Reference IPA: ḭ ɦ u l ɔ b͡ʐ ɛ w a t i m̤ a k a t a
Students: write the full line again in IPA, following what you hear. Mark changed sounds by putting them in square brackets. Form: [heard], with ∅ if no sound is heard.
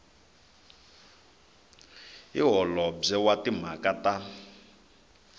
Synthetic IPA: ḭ ɦ [ɔ] l ɔ b͡ʐ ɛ w a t i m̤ a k a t a

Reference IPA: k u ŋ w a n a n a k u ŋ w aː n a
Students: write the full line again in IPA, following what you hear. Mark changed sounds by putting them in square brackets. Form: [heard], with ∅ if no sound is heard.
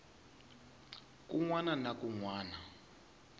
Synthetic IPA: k u ŋ w a n a n a k u ŋ w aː n a

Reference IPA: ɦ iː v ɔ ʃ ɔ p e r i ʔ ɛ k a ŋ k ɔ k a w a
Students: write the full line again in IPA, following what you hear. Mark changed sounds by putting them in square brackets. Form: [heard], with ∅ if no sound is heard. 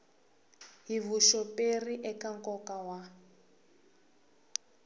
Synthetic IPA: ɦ [i] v [u] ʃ ɔ p e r i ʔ ɛ k a ŋ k ɔ k a w a

